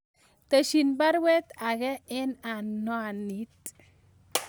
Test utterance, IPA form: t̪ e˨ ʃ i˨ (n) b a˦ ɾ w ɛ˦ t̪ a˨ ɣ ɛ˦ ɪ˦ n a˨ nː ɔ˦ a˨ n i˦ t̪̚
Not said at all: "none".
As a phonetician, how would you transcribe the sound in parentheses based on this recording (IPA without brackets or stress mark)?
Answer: n